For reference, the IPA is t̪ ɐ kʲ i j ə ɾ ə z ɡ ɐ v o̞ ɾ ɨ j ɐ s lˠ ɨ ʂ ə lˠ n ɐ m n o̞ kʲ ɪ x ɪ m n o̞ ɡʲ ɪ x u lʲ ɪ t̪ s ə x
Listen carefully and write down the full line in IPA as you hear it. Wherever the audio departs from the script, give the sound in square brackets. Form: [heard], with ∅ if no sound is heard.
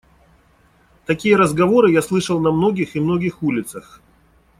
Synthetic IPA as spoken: t̪ ɐ kʲ i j ə ɾ ə z ɡ ɐ v o̞ ɾ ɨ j [a] s lˠ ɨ ʂ ə lˠ n ɐ m n o̞ [ɡʲ] ɪ x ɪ m n o̞ ɡʲ ɪ x u lʲ ɪ t̪ s ə x